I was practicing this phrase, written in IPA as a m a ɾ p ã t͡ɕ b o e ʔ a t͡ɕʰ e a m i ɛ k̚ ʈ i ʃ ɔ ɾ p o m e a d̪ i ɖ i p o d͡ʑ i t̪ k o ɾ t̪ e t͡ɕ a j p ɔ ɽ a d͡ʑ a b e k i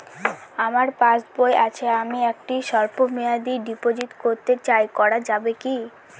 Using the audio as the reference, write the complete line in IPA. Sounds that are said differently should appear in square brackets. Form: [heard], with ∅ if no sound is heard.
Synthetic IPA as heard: a m a ɾ p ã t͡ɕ b o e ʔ a t͡ɕʰ e a m i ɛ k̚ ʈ i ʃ ɔ ɾ p o m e a d̪ i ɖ i p o d͡ʑ i t̪ k o ɾ t̪ e t͡ɕ a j [k] ɔ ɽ a d͡ʑ a b e k i